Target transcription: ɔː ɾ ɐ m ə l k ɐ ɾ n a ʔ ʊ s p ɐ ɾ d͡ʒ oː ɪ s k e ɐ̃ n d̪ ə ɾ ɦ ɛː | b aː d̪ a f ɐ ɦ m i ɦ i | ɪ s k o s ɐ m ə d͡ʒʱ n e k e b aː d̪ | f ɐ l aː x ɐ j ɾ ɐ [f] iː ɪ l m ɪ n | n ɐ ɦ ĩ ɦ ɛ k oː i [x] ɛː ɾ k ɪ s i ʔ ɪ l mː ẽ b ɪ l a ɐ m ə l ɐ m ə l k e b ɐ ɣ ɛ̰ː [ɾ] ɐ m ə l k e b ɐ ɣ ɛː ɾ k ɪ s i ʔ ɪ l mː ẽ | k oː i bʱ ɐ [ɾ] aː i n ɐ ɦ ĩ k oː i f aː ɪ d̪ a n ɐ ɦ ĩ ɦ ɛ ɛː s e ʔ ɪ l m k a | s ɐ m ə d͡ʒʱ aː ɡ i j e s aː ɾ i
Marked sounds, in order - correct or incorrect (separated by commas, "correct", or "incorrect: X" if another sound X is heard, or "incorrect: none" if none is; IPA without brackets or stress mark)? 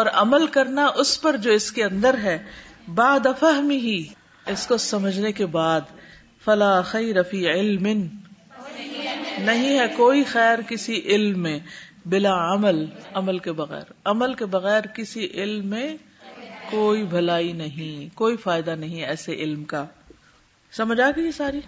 correct, correct, correct, incorrect: l